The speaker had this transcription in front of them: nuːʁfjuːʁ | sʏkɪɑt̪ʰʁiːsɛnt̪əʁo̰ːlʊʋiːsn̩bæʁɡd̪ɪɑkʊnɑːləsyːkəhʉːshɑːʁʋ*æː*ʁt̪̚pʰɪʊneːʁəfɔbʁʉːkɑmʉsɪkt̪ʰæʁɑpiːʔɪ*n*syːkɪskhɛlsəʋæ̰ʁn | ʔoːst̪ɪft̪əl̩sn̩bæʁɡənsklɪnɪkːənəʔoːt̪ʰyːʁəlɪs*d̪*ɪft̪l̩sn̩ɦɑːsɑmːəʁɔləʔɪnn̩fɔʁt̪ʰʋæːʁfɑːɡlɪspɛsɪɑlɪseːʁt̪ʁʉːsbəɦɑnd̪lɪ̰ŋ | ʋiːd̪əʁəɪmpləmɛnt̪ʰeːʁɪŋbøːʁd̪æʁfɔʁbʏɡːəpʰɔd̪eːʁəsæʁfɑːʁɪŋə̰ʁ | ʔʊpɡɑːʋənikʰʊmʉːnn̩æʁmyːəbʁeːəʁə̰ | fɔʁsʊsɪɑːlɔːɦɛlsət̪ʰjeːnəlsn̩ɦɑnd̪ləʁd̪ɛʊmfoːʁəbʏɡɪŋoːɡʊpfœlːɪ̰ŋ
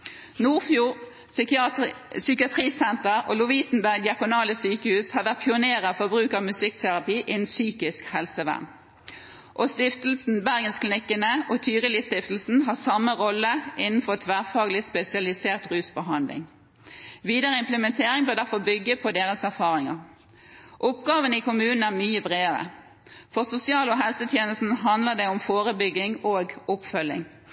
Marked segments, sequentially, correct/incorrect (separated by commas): incorrect, correct, incorrect